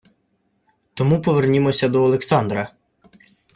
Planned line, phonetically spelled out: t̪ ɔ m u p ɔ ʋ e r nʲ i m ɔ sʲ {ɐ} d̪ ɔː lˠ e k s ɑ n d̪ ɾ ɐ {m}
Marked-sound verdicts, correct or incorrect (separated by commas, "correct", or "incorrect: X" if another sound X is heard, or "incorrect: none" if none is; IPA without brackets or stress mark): correct, incorrect: none